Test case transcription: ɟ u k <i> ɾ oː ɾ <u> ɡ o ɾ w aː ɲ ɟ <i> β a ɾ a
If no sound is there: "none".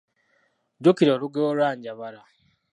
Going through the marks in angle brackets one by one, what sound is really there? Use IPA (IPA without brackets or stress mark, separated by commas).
i, u, a